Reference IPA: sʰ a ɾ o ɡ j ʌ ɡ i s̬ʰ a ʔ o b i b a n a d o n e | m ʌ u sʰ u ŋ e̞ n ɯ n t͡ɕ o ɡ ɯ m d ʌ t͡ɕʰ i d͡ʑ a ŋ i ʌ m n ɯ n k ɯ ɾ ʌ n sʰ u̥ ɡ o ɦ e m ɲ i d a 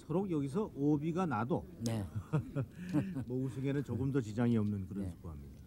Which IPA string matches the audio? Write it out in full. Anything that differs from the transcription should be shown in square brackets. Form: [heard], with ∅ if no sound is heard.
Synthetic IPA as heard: sʰ [ʌ] ɾ o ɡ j ʌ ɡ i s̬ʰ [ʌ] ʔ o b i [ɡ] a n a d o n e | m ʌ u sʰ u ŋ e̞ n ɯ n t͡ɕ o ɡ ɯ m d ʌ [t͡ɕ] i d͡ʑ a ŋ i ʌ m n ɯ n k ɯ ɾ ʌ n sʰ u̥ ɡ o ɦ [a] m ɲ i d a